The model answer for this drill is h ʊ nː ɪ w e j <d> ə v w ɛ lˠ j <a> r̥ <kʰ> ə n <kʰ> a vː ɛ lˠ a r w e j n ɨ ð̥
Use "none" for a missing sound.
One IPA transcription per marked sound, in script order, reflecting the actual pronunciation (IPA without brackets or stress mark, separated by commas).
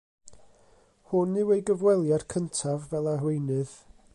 ɡ, a, kʰ, tʰ